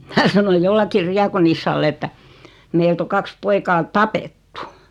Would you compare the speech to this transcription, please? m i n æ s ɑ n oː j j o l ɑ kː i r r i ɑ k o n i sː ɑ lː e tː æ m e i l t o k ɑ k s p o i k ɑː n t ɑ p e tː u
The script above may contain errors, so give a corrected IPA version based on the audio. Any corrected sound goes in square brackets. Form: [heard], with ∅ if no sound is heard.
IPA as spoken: m i n æ s ɑ n [o] j j o [lː] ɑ kː i r r i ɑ k o n i sː ɑ lː e tː æ m e i l t o k ɑ k s p o i k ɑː [∅] t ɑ p e tː u